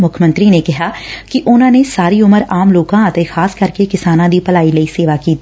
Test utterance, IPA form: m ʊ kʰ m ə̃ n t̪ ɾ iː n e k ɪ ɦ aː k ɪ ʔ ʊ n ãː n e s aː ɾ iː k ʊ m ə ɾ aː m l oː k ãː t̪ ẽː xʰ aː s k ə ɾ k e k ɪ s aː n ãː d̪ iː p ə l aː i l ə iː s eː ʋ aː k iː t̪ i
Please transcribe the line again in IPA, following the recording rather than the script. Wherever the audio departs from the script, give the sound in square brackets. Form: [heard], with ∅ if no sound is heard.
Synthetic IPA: m ʊ kʰ m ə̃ n t̪ ɾ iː n e k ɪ ɦ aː k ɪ ʔ ʊ n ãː n e s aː ɾ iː [∅] ʊ m ə ɾ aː m l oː k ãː t̪ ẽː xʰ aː s k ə ɾ k e k ɪ s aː n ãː d̪ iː p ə l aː i l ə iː s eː ʋ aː k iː t̪ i